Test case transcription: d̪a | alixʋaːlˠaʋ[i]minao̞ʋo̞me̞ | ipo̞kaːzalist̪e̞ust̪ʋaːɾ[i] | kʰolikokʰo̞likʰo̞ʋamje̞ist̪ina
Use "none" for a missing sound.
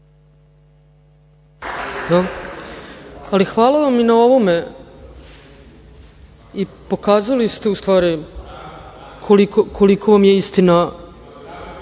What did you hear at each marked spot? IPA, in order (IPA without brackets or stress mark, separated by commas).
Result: a, i